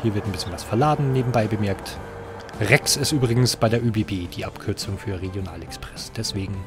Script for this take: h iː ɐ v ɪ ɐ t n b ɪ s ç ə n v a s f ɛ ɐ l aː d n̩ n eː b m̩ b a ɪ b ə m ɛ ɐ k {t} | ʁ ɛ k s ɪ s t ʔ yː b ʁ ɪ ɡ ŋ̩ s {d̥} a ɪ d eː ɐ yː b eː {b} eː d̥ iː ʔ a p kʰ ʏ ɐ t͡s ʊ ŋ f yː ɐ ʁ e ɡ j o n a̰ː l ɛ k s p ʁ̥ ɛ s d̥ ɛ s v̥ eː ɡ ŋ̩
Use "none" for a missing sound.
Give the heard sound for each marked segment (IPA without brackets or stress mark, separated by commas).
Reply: t, b̥, b